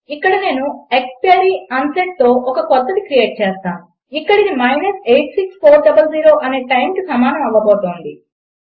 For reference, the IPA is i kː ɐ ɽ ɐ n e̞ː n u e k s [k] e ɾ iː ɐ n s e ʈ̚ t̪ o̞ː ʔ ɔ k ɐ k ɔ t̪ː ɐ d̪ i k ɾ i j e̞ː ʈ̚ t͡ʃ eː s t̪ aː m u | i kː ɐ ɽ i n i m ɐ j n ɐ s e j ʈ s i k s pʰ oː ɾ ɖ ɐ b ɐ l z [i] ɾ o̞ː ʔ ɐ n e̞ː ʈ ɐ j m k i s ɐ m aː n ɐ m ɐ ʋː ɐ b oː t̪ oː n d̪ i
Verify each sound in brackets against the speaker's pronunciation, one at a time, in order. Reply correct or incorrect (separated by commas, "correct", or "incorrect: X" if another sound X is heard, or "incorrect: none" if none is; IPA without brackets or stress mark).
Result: incorrect: p, incorrect: iː